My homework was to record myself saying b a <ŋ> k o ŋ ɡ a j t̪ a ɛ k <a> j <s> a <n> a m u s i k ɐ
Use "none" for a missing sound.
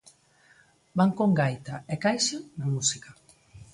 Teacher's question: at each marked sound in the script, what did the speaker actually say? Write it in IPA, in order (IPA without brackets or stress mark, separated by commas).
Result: ŋ, a, ʃ, n